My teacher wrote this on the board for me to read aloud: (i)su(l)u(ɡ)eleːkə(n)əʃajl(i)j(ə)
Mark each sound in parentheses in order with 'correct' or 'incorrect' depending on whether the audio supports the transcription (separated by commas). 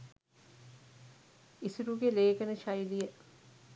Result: correct, incorrect, correct, correct, correct, correct